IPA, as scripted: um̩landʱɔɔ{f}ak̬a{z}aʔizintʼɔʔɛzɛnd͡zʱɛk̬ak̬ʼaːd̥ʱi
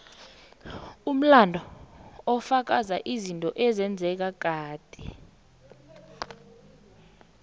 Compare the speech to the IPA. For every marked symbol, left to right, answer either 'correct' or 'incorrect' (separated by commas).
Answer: correct, correct